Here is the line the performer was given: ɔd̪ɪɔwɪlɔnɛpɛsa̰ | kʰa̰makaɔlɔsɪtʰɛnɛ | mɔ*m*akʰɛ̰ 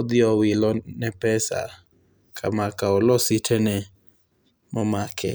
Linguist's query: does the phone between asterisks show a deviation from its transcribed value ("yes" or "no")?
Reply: no